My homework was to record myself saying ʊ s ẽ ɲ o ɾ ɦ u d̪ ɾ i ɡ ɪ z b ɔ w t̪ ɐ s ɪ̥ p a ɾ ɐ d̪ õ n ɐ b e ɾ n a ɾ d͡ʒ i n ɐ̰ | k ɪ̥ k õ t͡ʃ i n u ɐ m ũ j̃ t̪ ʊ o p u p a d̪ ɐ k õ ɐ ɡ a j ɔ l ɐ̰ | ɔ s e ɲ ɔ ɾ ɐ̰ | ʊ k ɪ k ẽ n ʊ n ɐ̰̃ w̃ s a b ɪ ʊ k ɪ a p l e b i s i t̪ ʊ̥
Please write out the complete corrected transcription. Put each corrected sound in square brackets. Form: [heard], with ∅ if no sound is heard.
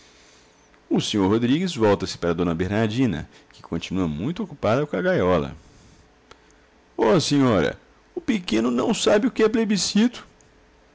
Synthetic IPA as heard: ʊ s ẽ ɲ o ɾ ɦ [o] d̪ ɾ i ɡ ɪ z [v] ɔ w t̪ ɐ s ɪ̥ p a ɾ ɐ d̪ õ n ɐ b e ɾ n a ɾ d͡ʒ [ĩ] n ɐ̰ | k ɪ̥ k õ t͡ʃ i n u ɐ m ũ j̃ t̪ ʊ o [k] u p a d̪ ɐ k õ ɐ ɡ a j ɔ l ɐ̰ | ɔ s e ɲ ɔ ɾ ɐ̰ | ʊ [p] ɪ k ẽ n ʊ n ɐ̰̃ w̃ s a b ɪ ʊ k ɪ [ɛ] p l e b i s i t̪ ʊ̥

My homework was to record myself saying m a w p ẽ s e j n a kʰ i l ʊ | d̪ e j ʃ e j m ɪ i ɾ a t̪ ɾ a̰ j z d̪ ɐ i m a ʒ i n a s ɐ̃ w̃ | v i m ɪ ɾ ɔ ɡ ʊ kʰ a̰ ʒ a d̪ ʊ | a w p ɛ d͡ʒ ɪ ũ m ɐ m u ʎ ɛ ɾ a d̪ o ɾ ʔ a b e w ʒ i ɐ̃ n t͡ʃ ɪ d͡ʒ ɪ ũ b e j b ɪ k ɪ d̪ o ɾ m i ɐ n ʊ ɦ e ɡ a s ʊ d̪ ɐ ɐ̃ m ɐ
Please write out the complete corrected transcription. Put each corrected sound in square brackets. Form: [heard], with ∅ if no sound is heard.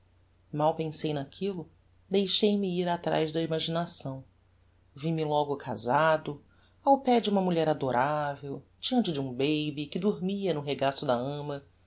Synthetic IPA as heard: m a w p ẽ s e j n a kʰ i l ʊ | d̪ e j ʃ e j m ɪ i ɾ a t̪ ɾ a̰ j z d̪ ɐ i m a ʒ i n a s ɐ̃ w̃ | v i m ɪ [l] ɔ ɡ ʊ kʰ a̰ [z] a d̪ ʊ | a w p ɛ d͡ʒ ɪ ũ m ɐ m u ʎ ɛ ɾ a d̪ o ɾ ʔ a [v] e w [d͡ʒ] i ɐ̃ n t͡ʃ ɪ d͡ʒ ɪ ũ b e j b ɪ k ɪ d̪ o ɾ m i ɐ n ʊ ɦ e ɡ a s ʊ d̪ ɐ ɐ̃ m ɐ

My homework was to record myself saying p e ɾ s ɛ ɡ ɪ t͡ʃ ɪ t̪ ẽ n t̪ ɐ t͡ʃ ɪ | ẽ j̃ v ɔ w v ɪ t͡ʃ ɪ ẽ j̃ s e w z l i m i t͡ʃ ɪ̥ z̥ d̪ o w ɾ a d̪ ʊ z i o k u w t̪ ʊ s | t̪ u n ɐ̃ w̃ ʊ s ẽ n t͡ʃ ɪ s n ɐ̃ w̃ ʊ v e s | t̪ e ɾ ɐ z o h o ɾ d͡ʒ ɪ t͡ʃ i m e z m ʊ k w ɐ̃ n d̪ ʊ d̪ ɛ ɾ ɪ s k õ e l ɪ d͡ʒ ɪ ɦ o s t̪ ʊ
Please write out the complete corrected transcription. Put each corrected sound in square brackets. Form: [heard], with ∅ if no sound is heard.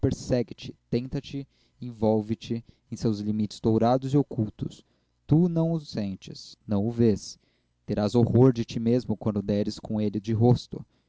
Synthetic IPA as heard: p e ɾ s ɛ ɡ ɪ t͡ʃ ɪ t̪ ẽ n t̪ ɐ t͡ʃ ɪ | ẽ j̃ v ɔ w v ɪ t͡ʃ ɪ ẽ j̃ s e w z l i m i t͡ʃ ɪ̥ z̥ d̪ o w ɾ a d̪ ʊ z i o k u w t̪ ʊ s | t̪ u n ɐ̃ w̃ ʊ s ẽ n t͡ʃ ɪ s n ɐ̃ w̃ ʊ v e s | t̪ e ɾ [a] z o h o ɾ d͡ʒ ɪ t͡ʃ i m e z m ʊ k w ɐ̃ n d̪ ʊ d̪ ɛ ɾ ɪ s k õ e l ɪ d͡ʒ ɪ ɦ o s t̪ ʊ

